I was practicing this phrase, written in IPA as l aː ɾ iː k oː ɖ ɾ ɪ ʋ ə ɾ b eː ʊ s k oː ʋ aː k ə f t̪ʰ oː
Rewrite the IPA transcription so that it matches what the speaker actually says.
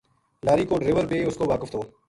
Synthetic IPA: l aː ɾ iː k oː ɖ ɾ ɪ ʋ ə ɾ b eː ʊ s k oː ʋ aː k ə f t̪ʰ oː